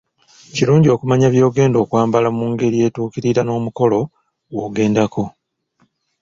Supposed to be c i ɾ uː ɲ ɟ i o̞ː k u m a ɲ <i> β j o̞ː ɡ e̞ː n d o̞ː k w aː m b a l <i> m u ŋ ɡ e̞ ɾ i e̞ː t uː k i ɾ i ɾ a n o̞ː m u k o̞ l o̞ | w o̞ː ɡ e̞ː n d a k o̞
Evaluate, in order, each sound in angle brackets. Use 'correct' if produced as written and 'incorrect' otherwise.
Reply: incorrect: a, incorrect: a

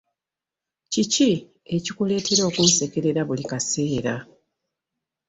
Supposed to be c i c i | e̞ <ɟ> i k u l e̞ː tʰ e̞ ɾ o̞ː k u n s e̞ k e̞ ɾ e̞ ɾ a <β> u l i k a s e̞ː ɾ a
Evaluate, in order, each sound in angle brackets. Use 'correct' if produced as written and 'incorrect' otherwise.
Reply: incorrect: c, correct

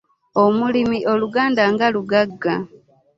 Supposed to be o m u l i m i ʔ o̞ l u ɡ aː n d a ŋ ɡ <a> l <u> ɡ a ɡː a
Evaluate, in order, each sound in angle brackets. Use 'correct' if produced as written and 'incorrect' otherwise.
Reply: correct, correct

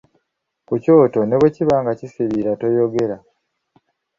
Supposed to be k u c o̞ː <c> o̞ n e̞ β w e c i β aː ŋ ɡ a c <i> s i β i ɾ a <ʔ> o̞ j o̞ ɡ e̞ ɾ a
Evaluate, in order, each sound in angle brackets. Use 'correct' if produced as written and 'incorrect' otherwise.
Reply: incorrect: t, correct, incorrect: t

